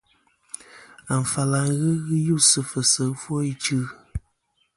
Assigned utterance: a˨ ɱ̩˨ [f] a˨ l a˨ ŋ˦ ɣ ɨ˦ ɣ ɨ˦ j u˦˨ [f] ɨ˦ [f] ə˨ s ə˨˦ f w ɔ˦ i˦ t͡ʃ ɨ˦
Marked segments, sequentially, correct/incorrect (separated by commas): correct, incorrect, correct